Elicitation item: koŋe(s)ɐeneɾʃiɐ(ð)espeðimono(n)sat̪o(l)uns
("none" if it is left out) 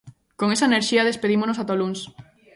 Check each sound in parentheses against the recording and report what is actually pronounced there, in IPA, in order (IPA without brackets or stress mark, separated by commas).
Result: s, ð, none, l